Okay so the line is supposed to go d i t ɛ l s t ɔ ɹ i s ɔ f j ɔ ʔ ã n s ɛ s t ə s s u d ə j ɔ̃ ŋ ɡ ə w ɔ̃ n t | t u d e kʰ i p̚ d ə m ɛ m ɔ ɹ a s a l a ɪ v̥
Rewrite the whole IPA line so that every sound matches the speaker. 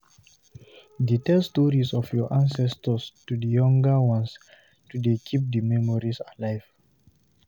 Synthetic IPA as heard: d i t ɛ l s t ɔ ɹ i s ɔ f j ɔ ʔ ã n s ɛ s t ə s t u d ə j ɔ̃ ŋ ɡ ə w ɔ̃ n s | t u d e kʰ i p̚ d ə m ɛ m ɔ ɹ i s a l a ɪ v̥